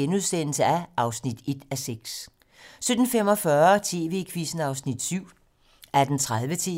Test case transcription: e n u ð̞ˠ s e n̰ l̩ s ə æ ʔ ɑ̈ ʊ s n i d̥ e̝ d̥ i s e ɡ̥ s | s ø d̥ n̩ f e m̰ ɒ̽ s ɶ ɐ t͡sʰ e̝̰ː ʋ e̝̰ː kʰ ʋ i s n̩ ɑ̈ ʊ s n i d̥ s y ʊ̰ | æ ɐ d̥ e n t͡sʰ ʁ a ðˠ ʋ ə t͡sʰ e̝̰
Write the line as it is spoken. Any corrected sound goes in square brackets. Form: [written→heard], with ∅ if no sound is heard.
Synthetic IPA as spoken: e n u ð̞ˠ s e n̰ l̩ s ə æ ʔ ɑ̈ ʊ s n i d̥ e̝ d̥ [i→æ] s e ɡ̥ s | s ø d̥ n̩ f e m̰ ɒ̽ [s→f] ɶ ɐ t͡sʰ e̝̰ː ʋ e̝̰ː kʰ ʋ i s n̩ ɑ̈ ʊ s n i d̥ s y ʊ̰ | æ ɐ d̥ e n t͡sʰ ʁ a ðˠ ʋ ə t͡sʰ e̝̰